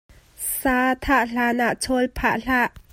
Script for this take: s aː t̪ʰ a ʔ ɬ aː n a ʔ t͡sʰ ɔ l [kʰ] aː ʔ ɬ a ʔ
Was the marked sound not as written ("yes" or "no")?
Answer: yes